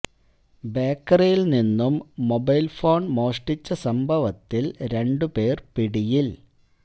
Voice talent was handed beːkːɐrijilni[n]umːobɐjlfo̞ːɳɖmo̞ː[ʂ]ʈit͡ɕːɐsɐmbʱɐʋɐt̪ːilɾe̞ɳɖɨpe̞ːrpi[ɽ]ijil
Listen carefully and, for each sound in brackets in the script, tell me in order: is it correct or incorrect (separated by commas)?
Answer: incorrect, correct, correct